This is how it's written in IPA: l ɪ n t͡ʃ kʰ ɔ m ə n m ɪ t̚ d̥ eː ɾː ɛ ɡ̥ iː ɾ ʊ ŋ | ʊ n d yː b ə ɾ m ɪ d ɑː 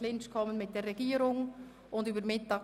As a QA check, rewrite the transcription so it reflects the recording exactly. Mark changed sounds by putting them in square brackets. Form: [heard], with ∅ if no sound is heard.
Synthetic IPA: l ɪ n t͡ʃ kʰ ɔ m ə n m ɪ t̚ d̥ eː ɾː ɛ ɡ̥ iː ɾ ʊ ŋ | ʊ n d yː b ə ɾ m ɪ [t] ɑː